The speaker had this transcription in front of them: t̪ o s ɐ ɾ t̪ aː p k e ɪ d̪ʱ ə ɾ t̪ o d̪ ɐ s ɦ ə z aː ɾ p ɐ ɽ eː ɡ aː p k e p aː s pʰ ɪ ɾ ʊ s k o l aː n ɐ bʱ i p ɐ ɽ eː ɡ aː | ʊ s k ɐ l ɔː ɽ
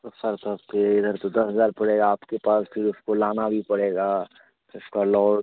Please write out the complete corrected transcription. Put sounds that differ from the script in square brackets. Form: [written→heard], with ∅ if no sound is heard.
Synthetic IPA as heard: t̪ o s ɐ ɾ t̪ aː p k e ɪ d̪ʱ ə ɾ t̪ o d̪ ɐ s ɦ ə z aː ɾ p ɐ ɽ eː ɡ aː p k e p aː s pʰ ɪ ɾ ʊ s k o l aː n [ɐ→a] bʱ i p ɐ ɽ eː ɡ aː | ʊ s k [ɐ→a] l ɔː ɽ